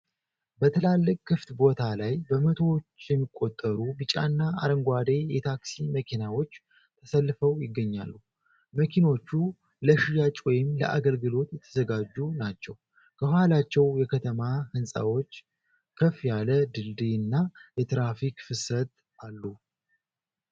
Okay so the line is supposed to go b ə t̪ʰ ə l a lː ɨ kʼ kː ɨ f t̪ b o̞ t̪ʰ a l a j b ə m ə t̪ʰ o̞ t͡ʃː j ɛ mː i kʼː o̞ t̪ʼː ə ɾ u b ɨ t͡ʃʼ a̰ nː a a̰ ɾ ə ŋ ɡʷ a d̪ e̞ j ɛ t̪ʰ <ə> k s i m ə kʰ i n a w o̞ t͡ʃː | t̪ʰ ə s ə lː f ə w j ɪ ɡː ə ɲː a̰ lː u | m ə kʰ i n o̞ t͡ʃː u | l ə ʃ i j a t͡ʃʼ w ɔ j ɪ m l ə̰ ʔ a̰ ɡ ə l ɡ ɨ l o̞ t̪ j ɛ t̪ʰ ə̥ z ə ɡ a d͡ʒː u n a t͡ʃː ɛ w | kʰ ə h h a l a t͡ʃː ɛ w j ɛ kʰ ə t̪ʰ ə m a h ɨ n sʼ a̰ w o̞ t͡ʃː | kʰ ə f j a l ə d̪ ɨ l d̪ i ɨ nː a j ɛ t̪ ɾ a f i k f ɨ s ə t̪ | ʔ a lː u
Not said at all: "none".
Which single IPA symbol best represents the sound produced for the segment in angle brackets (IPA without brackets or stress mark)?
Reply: a